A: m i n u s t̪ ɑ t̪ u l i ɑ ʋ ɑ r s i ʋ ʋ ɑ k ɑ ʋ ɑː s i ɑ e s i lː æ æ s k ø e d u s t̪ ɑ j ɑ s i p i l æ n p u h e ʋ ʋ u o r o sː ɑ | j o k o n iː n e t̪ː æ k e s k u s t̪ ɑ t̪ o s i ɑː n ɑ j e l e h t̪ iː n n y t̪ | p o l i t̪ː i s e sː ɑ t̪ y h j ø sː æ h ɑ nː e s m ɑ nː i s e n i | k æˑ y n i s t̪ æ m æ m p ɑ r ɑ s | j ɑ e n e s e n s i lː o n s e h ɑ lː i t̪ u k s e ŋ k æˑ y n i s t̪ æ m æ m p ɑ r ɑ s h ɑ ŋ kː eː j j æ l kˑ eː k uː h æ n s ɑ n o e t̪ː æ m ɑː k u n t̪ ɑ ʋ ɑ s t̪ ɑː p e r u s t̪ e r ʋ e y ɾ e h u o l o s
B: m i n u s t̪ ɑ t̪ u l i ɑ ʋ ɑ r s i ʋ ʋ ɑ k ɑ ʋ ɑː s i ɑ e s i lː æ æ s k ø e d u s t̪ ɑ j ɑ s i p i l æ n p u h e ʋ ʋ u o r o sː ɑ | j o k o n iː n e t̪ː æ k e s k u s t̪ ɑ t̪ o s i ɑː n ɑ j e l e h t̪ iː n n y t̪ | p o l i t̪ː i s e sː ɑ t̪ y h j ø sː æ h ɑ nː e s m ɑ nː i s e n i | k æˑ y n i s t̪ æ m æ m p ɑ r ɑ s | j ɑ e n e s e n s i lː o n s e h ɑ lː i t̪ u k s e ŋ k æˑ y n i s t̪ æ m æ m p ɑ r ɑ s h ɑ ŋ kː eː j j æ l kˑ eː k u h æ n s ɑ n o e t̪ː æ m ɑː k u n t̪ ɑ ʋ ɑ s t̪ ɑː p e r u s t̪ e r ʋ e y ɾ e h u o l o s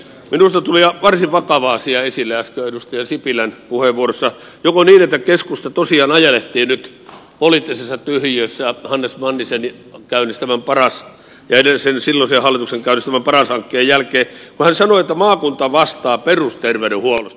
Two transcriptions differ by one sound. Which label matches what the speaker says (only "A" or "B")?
B